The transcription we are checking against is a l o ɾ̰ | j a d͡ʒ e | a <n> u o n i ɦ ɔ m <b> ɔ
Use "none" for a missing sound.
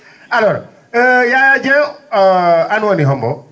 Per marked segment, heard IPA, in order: n, b

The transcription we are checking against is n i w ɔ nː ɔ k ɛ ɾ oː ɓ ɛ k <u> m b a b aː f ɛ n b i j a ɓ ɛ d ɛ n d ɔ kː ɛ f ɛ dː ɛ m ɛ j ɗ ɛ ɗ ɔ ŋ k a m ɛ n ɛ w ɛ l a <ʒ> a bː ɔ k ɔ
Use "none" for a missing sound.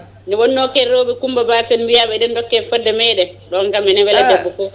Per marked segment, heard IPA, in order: u, d͡ʒ

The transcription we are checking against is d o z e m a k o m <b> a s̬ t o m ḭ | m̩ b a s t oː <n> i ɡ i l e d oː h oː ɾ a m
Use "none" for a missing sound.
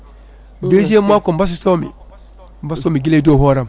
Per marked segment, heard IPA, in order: b, m

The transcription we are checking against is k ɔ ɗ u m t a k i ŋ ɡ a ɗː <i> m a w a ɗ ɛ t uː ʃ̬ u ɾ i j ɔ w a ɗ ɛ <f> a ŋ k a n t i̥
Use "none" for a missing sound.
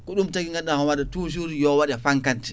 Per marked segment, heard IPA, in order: a, f

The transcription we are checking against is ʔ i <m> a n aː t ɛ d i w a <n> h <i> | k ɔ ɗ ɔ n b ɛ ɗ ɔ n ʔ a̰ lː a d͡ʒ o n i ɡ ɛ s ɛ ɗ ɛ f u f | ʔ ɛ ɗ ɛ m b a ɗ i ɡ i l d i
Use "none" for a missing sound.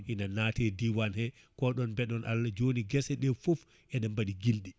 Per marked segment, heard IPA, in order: n, n, ɛ

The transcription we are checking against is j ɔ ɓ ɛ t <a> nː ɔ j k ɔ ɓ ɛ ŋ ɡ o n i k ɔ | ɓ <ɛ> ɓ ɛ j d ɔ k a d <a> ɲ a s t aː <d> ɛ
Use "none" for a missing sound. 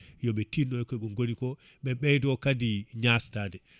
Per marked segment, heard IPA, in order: i, ɛ, i, d

